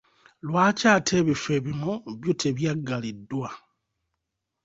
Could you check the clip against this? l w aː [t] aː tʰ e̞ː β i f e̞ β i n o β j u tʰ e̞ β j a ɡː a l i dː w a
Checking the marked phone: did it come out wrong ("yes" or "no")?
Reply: yes